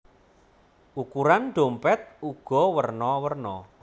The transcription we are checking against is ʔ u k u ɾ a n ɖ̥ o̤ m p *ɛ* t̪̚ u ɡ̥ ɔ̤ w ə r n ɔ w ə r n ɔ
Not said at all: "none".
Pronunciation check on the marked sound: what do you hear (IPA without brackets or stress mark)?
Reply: ɛ